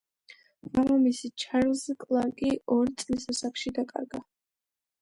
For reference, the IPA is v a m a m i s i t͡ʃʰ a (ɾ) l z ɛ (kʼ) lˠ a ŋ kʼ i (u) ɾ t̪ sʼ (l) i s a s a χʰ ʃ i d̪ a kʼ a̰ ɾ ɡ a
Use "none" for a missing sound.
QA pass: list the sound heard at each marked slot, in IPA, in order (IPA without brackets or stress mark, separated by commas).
ɾ, kʼ, ɔ, l